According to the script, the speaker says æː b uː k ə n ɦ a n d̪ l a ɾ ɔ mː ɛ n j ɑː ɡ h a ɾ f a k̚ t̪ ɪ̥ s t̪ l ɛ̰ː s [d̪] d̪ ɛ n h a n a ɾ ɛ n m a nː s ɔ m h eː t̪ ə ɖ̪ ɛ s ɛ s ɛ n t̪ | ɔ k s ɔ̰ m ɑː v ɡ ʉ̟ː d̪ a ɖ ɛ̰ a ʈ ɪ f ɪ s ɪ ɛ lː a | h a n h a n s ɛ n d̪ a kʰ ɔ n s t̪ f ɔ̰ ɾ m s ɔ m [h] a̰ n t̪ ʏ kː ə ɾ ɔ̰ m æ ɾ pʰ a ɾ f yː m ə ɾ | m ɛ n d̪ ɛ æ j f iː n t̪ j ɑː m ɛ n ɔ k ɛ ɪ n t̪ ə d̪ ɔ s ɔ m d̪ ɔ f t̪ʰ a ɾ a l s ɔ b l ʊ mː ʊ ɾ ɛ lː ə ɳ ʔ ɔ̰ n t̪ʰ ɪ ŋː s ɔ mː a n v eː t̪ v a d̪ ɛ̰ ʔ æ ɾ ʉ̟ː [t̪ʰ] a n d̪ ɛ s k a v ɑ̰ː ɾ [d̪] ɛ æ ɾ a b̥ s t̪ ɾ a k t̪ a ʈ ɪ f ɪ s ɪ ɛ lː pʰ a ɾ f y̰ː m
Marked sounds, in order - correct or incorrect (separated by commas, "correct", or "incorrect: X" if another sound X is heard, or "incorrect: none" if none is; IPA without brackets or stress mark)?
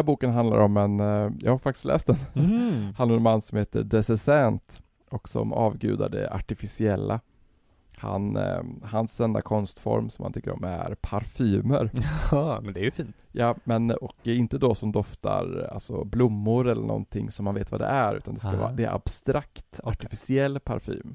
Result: incorrect: t̪, correct, incorrect: t̪, correct